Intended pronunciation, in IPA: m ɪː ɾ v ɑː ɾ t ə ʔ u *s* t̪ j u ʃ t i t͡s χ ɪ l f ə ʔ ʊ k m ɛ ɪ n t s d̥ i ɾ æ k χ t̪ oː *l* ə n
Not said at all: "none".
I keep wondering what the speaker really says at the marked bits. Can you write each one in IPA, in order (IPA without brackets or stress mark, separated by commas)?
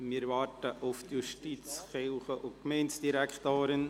f, ɾ